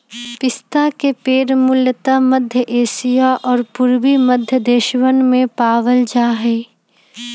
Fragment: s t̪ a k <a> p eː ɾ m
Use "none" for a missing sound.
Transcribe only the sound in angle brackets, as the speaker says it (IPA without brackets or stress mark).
e